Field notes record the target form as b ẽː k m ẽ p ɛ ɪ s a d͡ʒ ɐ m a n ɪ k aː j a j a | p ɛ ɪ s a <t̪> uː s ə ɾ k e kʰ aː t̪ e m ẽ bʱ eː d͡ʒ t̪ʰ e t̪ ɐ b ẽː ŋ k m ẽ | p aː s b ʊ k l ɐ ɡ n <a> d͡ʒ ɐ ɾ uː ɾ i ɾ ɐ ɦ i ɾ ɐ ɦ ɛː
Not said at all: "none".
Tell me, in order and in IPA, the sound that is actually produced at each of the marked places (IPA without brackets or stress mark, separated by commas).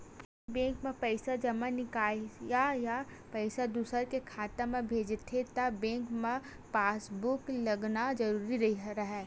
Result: d̪, a